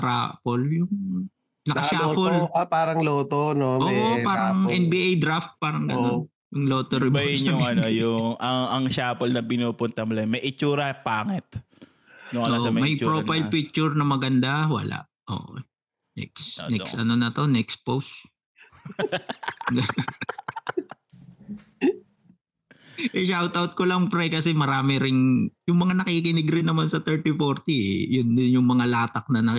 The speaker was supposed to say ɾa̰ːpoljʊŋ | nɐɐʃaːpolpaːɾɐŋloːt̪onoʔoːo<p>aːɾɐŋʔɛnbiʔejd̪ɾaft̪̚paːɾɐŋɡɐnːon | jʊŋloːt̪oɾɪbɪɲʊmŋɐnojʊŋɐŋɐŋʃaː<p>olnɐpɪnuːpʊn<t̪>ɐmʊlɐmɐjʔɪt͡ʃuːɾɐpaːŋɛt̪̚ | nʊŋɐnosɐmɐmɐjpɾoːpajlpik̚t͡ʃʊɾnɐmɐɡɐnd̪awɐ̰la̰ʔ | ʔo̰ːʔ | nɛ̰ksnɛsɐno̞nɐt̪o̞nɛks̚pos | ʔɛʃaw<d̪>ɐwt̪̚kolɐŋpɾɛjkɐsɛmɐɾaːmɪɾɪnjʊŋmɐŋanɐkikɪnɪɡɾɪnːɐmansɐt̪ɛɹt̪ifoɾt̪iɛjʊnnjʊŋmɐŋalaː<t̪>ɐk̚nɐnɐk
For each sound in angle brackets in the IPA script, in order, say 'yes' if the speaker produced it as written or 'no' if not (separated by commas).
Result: yes, yes, yes, no, yes